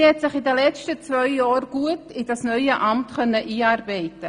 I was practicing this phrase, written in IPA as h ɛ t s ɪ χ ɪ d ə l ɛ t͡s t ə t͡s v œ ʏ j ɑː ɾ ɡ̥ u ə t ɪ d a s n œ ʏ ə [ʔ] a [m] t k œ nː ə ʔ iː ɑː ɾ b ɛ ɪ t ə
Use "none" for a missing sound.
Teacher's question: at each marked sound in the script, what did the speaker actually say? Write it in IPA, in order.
ʔ, m

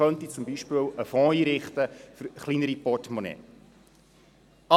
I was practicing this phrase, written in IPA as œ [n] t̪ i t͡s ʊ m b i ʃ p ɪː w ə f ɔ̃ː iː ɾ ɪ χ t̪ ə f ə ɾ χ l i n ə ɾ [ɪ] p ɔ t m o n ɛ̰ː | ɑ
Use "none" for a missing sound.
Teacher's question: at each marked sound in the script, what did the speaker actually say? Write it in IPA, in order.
n, i

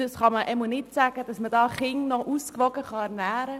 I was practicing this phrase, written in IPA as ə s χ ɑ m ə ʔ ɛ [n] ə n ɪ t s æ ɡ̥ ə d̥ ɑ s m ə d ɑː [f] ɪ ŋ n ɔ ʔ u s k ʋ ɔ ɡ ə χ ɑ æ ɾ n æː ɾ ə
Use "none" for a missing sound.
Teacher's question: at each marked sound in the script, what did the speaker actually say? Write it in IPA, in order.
m, χ

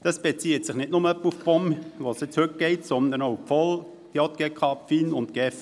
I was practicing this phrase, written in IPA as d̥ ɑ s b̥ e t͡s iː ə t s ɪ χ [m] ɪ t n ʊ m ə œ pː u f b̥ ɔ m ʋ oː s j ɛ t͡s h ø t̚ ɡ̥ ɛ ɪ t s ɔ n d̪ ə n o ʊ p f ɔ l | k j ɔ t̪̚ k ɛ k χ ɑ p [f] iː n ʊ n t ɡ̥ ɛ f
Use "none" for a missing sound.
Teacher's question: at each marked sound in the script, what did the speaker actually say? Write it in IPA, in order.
n, f

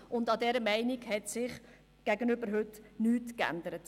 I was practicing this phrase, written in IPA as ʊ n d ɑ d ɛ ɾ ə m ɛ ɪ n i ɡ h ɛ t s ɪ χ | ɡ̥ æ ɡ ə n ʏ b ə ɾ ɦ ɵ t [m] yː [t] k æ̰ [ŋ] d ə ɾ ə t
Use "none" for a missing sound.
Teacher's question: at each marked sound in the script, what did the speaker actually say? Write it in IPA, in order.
n, t, n

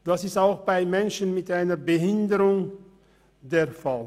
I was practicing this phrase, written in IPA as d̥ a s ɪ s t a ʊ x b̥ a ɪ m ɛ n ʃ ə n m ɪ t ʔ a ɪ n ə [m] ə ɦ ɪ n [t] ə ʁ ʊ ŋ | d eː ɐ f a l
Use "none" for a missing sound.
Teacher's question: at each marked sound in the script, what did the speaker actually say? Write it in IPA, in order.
b, d

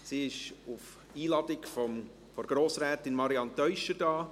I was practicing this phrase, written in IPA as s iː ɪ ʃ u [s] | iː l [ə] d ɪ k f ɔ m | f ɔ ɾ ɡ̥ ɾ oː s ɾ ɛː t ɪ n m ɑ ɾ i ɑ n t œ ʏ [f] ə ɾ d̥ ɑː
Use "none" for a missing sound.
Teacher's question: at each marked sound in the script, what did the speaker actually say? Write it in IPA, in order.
f, ɑ, ʃ

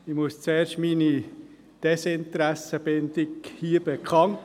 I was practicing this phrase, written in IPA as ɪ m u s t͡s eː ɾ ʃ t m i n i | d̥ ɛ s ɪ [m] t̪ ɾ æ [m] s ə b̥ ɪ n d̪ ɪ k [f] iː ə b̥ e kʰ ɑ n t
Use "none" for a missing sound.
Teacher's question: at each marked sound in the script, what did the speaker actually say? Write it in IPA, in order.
n, none, h

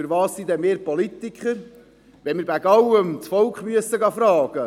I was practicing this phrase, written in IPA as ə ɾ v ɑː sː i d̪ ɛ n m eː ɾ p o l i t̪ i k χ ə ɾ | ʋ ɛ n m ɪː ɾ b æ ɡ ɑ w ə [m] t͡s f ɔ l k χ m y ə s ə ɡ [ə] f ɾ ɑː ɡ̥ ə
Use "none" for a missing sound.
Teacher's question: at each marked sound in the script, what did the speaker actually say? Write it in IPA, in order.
m, ɑ

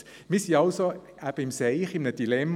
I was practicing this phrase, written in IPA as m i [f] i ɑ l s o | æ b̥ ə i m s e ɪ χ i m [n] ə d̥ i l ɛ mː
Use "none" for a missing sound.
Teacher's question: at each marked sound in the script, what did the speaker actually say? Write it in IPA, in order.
s, n

